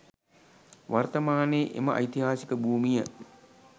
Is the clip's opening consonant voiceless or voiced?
voiced